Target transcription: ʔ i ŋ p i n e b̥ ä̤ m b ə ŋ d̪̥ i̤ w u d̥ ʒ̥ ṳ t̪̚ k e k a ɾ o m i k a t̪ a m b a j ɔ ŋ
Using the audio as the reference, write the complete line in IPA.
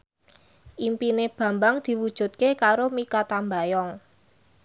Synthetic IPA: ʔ i m p i n e b̥ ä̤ m b a ŋ d̪̥ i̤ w u d̥ ʒ̥ ṳ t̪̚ k e k a ɾ o m i k a t̪ a m b a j ɔ ŋ